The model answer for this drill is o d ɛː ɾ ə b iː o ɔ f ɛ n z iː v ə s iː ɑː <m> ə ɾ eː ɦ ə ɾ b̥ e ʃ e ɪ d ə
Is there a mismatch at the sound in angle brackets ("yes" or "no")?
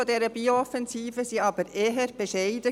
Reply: yes